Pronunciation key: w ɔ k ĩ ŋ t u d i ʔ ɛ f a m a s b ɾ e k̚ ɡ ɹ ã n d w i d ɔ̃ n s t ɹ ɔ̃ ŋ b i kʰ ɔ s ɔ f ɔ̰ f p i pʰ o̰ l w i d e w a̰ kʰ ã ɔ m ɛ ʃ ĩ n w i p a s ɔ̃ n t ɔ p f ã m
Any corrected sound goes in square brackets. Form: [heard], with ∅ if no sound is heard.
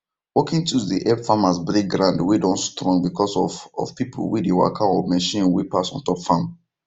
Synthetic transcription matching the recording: w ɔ k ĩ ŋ t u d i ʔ ɛ f a m a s b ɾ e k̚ ɡ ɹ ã n d w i d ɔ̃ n s t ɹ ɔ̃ ŋ b i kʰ ɔ s ɔ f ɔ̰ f p i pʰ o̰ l w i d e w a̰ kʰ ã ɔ m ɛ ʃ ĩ n w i p a s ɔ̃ n t ɔ p f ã m